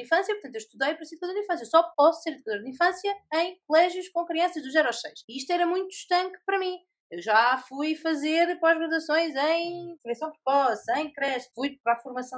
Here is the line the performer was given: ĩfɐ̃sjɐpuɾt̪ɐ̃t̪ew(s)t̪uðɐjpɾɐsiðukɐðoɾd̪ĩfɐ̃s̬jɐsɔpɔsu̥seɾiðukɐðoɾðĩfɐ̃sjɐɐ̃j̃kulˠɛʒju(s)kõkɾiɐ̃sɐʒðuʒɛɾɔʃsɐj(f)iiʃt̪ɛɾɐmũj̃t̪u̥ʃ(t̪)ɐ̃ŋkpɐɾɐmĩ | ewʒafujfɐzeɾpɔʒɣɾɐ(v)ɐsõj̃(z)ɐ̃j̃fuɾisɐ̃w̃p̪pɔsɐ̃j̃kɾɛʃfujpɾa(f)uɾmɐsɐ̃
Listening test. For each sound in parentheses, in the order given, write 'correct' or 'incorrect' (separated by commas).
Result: incorrect, incorrect, incorrect, correct, incorrect, correct, correct